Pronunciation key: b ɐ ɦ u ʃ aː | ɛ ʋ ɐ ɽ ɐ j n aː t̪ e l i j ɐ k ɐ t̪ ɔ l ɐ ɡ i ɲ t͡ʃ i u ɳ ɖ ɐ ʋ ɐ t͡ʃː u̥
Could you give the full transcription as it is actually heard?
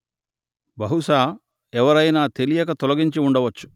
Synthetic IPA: b ɐ ɦ u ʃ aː | ɛ ʋ ɐ ɾ ɐ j n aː t̪ e l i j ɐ k ɐ t̪ ɔ l ɐ ɡ i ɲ t͡ʃ i u ɳ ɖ ɐ ʋ ɐ t͡ʃː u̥